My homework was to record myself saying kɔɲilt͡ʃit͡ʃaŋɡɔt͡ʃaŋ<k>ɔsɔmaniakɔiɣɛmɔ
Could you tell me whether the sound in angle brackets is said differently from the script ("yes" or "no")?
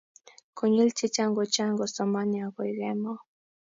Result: yes